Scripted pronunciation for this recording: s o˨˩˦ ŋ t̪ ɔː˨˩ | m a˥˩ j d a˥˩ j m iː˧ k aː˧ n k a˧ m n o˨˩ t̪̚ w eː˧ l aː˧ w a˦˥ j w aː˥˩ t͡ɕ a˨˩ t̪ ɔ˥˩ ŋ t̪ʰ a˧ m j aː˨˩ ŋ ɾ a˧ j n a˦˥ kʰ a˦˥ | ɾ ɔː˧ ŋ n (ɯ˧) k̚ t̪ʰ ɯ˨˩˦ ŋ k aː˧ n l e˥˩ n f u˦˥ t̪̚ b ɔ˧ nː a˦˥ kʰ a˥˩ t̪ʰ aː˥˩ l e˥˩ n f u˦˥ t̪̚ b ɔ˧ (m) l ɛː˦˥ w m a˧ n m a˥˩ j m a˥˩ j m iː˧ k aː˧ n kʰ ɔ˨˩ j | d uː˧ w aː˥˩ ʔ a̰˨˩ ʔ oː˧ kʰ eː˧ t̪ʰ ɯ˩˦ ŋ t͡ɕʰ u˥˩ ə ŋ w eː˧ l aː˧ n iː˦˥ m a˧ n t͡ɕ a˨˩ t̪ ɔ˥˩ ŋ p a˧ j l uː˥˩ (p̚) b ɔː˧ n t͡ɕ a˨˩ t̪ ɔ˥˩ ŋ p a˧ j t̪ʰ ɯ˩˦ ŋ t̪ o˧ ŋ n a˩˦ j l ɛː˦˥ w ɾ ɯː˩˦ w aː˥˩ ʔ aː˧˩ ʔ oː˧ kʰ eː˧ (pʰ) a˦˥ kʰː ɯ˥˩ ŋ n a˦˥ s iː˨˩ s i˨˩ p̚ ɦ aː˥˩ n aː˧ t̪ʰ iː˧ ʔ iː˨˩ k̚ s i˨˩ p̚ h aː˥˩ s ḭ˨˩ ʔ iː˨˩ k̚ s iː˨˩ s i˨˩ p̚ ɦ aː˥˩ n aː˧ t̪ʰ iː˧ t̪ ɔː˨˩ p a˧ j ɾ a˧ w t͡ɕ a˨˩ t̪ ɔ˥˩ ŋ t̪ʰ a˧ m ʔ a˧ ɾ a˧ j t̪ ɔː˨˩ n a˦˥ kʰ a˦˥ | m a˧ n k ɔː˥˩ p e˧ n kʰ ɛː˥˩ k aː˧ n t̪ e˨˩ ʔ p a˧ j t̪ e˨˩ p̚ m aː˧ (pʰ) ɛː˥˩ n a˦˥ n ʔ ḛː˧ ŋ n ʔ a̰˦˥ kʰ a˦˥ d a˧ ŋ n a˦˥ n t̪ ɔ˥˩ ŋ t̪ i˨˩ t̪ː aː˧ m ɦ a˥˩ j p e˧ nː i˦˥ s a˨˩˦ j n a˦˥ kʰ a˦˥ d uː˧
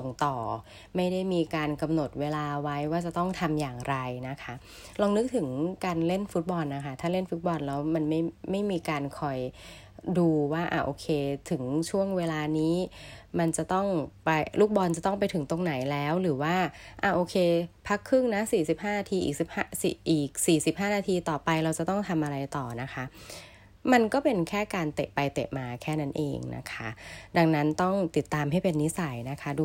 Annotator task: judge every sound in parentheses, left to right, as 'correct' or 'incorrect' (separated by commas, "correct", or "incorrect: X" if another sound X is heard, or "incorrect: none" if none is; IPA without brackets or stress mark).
incorrect: ɯ˦˥, incorrect: n, incorrect: k̚, correct, incorrect: kʰ